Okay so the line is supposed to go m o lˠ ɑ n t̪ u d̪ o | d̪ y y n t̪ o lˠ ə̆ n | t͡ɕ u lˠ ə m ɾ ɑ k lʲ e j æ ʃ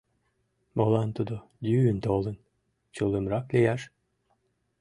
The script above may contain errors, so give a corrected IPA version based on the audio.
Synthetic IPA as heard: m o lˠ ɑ n t̪ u d̪ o | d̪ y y n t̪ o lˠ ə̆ n | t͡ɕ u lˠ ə m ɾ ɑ k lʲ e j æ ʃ